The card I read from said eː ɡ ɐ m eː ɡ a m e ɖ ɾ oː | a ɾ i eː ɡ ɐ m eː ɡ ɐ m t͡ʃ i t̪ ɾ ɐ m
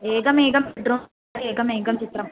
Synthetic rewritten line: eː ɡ ɐ m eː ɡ ɐ m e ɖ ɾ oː | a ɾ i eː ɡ ɐ m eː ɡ ɐ m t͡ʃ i t̪ ɾ ɐ m